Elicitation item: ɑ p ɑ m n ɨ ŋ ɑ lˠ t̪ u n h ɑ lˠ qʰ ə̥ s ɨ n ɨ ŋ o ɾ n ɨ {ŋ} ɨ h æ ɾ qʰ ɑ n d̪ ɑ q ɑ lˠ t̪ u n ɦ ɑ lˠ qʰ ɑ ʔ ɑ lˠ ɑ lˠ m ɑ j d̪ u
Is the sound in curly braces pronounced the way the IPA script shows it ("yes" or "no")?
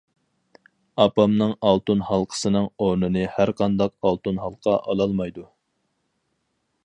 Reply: no